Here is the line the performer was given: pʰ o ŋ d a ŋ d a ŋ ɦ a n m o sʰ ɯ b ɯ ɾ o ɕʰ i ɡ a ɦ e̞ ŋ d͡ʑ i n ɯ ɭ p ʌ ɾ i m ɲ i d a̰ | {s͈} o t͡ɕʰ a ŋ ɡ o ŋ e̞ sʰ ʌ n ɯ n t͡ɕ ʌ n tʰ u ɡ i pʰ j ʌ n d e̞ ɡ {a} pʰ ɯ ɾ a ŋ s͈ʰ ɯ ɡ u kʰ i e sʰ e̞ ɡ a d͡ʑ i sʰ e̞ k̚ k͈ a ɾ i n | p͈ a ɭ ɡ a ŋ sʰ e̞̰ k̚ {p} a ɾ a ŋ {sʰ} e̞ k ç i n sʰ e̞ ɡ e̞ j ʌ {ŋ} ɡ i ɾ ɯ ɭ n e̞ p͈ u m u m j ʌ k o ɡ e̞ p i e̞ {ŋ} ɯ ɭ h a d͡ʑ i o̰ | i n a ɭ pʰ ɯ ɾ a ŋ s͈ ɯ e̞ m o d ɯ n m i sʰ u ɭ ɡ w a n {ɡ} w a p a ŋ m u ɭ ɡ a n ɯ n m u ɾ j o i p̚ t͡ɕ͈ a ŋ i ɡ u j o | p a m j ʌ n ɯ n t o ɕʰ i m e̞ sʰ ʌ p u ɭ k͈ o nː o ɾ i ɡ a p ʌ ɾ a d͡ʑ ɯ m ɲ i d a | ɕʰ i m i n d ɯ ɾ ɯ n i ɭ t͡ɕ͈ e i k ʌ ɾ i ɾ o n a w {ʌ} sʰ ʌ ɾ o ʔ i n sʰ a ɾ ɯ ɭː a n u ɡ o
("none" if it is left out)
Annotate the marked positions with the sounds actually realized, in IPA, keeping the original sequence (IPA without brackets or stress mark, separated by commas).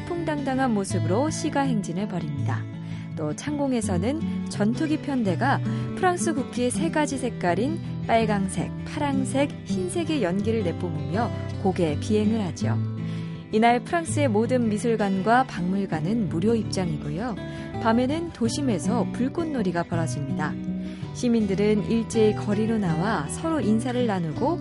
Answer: t͈, a, pʰ, sʰ, n, ŋ, ɡ, a